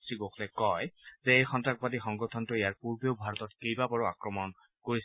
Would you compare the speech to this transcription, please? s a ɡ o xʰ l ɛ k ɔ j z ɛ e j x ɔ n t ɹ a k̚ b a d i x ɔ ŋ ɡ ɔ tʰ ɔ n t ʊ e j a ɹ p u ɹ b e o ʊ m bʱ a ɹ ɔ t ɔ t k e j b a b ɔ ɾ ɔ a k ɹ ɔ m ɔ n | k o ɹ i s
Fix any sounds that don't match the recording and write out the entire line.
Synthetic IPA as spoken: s i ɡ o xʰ l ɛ k ɔ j z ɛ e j x ɔ n t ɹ a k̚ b a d i x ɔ ŋ ɡ ɔ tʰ ɔ n t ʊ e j a ɹ p u ɹ b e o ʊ bʱ a ɹ ɔ t ɔ t k e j b a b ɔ ɹ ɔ a k ɹ ɔ m ɔ n | k o ɹ i s